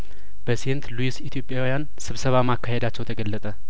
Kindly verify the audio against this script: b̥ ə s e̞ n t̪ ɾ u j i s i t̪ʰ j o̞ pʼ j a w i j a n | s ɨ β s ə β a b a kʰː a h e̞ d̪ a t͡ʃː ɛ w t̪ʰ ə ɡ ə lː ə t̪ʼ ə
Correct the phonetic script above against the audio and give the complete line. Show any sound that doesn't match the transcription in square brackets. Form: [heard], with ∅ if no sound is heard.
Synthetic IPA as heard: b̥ ə s e̞ n t̪ [l] u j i s i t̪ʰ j o̞ pʼ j a w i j a n | s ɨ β s ə β a [m] a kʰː a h e̞ d̪ a t͡ʃː ɛ w t̪ʰ ə ɡ ə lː ə t̪ʼ ə